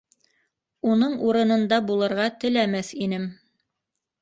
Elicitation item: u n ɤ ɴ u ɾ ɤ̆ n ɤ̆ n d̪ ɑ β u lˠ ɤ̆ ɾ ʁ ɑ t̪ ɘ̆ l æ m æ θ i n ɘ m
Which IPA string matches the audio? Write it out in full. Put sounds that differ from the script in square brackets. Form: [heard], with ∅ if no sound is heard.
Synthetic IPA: u n ɤ ɴ u ɾ ɤ̆ n ɤ̆ n d̪ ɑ [b] u lˠ ɤ̆ ɾ ʁ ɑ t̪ ɘ̆ l æ m æ θ i n ɘ m

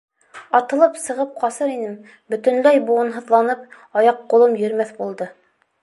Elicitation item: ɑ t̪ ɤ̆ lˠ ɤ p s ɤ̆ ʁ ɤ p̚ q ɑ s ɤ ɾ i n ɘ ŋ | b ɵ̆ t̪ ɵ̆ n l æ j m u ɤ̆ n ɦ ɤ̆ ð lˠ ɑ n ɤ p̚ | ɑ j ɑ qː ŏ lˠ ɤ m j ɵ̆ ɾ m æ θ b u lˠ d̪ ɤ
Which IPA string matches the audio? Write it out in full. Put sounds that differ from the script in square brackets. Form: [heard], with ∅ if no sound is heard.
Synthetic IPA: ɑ t̪ ɤ̆ lˠ ɤ p s ɤ̆ ʁ ɤ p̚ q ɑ s ɤ ɾ i n ɘ [m] | b ɵ̆ t̪ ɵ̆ n l æ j [b] u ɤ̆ n ɦ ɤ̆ ð lˠ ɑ n ɤ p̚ | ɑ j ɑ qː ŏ lˠ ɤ m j ɵ̆ ɾ m æ θ b u lˠ d̪ ɤ

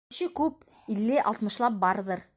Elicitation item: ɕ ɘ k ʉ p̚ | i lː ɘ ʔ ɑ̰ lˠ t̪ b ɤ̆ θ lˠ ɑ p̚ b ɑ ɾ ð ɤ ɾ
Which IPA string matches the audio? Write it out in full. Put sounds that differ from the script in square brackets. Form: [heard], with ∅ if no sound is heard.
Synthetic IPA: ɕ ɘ k ʉ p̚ | i lː ɘ ʔ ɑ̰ lˠ t̪ [m] ɤ̆ [ʃ] lˠ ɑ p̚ b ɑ ɾ ð ɤ ɾ

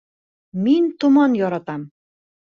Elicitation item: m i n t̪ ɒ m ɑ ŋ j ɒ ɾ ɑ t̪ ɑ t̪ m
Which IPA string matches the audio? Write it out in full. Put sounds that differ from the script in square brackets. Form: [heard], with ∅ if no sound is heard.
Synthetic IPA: m i n t̪ [u] m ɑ [n] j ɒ ɾ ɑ t̪ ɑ [∅] m

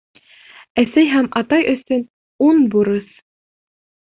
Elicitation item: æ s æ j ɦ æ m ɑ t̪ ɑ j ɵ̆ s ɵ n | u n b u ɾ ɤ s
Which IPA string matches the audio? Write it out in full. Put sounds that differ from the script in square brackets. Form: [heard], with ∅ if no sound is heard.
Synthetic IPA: æ s æ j ɦ æ m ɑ t̪ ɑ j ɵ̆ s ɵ n | u n b u ɾ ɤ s

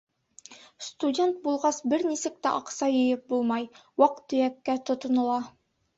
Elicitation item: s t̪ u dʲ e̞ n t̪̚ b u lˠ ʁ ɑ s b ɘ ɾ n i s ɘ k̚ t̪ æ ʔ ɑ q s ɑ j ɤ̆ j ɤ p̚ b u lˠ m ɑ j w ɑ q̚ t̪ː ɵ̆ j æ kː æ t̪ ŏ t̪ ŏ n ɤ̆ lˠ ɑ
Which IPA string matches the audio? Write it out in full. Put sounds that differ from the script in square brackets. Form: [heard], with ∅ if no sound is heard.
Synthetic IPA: s t̪ u dʲ e̞ n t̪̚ b u lˠ ʁ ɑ s b ɘ ɾ n i s ɘ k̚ t̪ æ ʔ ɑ q s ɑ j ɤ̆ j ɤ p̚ b u lˠ m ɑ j w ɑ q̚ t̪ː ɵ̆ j æ kː æ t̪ ŏ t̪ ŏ n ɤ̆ lˠ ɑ

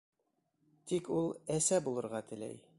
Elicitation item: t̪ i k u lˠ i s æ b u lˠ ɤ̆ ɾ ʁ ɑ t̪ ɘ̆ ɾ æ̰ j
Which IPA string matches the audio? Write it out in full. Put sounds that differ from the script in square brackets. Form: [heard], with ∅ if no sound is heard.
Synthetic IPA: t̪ i k u lˠ [æ] s æ b u lˠ ɤ̆ ɾ ʁ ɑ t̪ ɘ̆ [l] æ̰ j

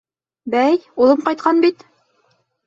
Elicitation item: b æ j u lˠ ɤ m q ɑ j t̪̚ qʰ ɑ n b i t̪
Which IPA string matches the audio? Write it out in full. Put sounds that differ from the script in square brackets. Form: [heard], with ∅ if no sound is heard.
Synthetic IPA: b æ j u lˠ ɤ m q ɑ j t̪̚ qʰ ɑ n b i t̪

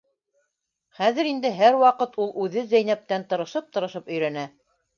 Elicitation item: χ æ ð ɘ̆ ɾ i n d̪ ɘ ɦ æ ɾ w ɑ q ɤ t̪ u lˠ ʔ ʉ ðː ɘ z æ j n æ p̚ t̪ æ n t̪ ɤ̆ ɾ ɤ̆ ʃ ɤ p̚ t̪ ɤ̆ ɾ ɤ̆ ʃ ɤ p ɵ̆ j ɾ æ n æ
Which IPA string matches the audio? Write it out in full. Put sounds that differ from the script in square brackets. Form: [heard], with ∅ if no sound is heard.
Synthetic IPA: χ æ ð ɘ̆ ɾ i n d̪ ɘ ɦ æ ɾ w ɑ q ɤ t̪ u lˠ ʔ ʉ [ð] ɘ z æ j n æ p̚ t̪ æ n t̪ ɤ̆ ɾ ɤ̆ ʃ ɤ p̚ t̪ ɤ̆ ɾ ɤ̆ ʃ ɤ p ɵ̆ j ɾ æ n æ

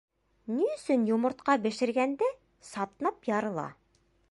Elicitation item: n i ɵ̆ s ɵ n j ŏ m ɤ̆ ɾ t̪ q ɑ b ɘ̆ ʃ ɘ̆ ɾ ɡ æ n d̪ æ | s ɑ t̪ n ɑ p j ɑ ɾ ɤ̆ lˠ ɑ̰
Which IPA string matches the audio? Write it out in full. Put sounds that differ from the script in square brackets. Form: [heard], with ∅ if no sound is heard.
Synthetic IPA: n i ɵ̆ s ɵ n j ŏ m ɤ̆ ɾ t̪ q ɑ b ɘ̆ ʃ ɘ̆ ɾ ɡ æ n d̪ æ | s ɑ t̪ n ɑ p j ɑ ɾ ɤ̆ lˠ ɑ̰

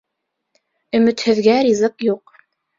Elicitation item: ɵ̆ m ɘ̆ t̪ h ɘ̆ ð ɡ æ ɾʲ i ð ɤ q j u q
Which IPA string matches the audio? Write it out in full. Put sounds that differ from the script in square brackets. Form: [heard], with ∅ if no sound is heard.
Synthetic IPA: ɵ̆ m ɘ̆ t̪ h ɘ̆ ð ɡ æ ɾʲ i [z] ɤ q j u q

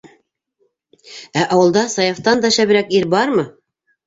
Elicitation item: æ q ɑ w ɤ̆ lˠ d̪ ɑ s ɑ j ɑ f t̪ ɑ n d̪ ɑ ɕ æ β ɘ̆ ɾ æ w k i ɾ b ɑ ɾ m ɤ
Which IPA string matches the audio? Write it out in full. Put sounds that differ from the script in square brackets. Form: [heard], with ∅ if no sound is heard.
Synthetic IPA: æ [ʔ] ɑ w ɤ̆ lˠ d̪ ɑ s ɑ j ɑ f t̪ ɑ n d̪ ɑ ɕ æ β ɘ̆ ɾ æ [∅] k i ɾ b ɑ ɾ m ɤ

